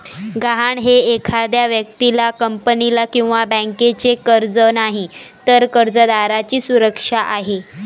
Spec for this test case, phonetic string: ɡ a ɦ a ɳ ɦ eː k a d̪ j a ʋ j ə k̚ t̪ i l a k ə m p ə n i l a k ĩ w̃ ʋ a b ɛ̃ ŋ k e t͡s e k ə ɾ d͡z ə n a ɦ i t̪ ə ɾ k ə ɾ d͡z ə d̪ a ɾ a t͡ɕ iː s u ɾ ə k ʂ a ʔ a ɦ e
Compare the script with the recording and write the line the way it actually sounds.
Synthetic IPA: ɡ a ɦ a ɳ ɦ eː kʰ a d̪ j a ʋ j ə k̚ t̪ i l a k ə m p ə n i l a k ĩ w̃ ʋ a b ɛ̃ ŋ k e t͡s e k ə ɾ d͡z ə n a ɦ i t̪ ə ɾ k ə ɾ d͡z ə d̪ a ɾ a t͡ɕ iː s u ɾ ə k ʂ a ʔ a ɦ e